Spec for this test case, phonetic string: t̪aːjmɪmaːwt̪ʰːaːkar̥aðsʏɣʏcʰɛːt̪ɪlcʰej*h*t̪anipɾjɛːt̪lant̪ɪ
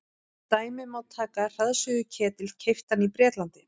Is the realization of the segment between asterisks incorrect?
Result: yes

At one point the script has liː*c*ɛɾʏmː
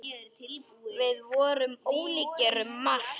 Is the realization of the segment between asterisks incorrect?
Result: no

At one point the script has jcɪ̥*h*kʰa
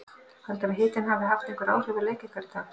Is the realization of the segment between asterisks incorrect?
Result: yes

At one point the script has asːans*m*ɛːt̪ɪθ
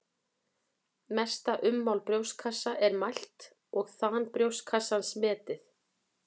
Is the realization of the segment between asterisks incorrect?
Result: no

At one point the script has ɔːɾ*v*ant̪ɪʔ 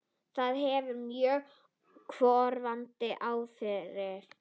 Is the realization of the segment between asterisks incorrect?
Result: no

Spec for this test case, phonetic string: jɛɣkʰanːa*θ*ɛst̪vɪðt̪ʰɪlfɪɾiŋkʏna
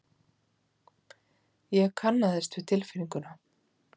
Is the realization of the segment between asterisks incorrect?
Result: yes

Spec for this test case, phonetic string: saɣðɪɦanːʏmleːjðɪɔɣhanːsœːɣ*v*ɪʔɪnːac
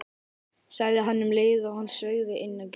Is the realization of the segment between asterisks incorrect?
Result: yes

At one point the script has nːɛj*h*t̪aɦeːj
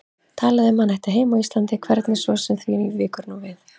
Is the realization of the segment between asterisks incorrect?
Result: no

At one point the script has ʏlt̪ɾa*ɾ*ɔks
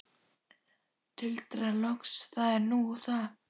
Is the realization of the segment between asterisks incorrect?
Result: yes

